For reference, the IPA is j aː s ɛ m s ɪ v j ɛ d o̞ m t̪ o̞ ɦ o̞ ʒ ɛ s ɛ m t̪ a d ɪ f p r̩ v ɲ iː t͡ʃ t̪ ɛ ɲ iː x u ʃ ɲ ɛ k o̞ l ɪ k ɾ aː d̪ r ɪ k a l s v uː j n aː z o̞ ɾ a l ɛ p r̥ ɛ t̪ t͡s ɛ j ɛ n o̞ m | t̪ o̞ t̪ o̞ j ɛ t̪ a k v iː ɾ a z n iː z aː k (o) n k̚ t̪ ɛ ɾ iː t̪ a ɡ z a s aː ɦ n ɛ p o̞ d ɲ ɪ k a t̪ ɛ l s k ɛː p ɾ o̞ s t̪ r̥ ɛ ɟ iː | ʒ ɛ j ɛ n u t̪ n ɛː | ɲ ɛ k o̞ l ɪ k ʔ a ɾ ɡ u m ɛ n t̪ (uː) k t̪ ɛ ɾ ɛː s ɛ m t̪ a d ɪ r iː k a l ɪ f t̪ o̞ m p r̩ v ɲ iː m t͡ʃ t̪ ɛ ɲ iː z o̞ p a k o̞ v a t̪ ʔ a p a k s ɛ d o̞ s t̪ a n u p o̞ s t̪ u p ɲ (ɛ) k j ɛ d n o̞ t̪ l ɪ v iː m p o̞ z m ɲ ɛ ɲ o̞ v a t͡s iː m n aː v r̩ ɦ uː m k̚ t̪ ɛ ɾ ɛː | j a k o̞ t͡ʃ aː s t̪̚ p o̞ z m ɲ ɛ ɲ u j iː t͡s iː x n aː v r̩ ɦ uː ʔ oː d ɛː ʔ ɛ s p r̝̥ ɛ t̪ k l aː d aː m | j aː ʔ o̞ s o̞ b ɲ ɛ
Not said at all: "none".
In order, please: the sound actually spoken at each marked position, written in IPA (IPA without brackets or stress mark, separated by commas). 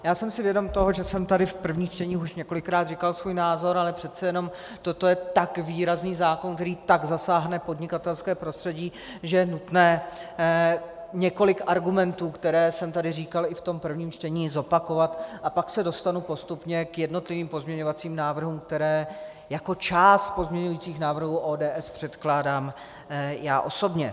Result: o, uː, ɛ